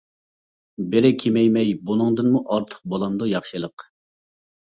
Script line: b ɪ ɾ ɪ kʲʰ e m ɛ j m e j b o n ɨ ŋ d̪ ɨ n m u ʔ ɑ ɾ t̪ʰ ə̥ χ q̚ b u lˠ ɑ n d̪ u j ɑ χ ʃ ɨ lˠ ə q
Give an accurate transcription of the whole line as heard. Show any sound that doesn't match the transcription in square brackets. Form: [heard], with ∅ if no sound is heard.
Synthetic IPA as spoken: b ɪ ɾ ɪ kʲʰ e m ɛ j m [ɛ] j b [u] n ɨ ŋ d̪ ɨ n m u ʔ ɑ ɾ t̪ʰ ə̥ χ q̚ b [o] lˠ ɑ n d̪ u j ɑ χ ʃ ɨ lˠ ə q